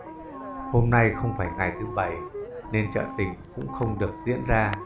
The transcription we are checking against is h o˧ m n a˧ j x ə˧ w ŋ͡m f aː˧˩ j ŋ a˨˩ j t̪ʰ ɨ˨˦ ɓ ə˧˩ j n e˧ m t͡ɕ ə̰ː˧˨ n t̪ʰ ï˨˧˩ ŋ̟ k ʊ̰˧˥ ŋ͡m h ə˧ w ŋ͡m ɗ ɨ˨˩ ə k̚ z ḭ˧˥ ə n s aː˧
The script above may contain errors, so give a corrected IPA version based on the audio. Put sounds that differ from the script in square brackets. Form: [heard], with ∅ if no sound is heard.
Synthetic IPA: h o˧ m n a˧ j x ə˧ w ŋ͡m f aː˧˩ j ŋ a˨˩ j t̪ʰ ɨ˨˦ ɓ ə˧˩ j n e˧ [n] t͡ɕ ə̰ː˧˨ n [t̪] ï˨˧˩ ŋ̟ k ʊ̰˧˥ ŋ͡m [x] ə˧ w ŋ͡m ɗ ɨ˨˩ ə k̚ z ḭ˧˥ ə n [z] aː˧